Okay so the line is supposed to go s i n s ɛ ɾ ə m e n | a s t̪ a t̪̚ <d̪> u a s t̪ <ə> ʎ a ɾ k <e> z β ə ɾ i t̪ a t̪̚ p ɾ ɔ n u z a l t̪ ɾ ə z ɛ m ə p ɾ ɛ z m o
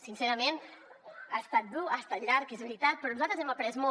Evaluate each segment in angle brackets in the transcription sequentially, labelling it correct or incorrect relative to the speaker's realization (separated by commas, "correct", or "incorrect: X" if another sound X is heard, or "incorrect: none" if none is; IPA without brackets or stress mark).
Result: correct, incorrect: a, correct